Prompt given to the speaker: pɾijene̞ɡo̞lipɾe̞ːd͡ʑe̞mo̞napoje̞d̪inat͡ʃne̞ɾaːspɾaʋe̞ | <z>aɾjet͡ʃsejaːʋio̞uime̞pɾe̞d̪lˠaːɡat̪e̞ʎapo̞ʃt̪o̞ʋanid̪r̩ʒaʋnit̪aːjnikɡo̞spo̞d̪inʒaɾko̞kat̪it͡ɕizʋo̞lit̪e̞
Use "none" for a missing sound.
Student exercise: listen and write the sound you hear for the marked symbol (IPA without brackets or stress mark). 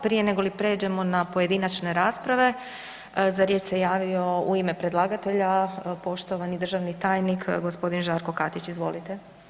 z